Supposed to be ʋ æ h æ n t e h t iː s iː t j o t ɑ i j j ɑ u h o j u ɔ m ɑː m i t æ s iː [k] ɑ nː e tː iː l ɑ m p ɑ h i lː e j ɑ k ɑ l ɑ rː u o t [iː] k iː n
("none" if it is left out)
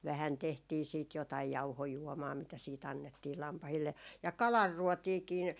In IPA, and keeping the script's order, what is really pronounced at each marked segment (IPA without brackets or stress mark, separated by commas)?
t, iː